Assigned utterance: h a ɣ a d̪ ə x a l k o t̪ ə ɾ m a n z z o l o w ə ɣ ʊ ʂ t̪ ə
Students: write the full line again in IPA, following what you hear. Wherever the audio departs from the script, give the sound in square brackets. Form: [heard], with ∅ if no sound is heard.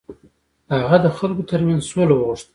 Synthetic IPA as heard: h a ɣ a d̪ ə x a l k o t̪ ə ɾ m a n z [s] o l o w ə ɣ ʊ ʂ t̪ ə